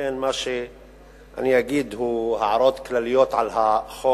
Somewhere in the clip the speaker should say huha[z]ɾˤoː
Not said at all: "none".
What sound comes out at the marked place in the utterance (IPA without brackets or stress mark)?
ʕ